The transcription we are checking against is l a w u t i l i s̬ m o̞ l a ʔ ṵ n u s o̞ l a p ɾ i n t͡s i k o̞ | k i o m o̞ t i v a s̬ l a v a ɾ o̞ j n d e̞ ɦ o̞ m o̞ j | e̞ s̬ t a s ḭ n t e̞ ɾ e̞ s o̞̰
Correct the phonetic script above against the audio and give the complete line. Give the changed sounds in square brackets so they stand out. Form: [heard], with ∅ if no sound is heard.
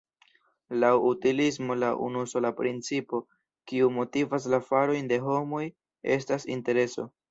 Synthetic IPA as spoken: l a w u t i l i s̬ m o̞ l a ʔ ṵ n u s o̞ l a p ɾ i n t͡s i [p] o̞ | k i [u] m o̞ t i v a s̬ l a [f] a ɾ o̞ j n d e̞ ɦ o̞ m o̞ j | e̞ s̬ t a s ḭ n t e̞ ɾ e̞ s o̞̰